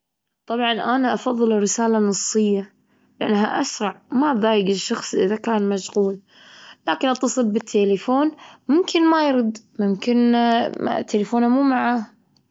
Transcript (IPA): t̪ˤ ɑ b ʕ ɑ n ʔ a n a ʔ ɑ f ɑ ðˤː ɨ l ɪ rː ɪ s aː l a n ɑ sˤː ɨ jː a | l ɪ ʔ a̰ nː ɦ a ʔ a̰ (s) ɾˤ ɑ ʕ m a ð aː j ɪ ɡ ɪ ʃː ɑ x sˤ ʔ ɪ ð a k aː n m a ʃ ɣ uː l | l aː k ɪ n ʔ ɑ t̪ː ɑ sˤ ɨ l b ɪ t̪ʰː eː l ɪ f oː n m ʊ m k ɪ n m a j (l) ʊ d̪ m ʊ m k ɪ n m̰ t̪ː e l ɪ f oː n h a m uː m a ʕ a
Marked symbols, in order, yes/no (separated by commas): yes, no